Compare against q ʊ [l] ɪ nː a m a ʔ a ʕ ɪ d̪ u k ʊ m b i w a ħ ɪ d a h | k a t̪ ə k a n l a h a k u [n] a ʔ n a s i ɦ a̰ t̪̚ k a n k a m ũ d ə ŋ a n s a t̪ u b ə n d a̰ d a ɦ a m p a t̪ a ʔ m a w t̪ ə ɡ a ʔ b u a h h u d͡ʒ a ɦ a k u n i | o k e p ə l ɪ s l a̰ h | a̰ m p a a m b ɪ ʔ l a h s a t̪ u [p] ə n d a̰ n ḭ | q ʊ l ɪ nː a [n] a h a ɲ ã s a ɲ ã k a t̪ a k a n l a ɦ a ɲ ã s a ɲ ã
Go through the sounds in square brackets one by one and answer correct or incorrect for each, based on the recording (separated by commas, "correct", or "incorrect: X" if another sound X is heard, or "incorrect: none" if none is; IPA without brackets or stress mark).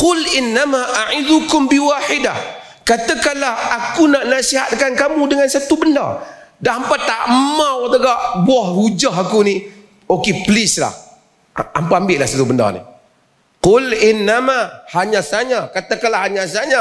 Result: correct, correct, incorrect: b, incorrect: m